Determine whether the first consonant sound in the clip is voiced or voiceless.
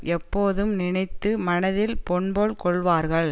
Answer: voiceless